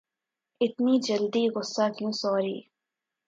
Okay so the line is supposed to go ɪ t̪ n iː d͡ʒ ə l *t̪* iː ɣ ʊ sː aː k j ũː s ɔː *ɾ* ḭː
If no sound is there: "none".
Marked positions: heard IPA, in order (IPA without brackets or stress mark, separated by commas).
d̪, ɾ